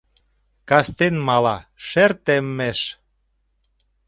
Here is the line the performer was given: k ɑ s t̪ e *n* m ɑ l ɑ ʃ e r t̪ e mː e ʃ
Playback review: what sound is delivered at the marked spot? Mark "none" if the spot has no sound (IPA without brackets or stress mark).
n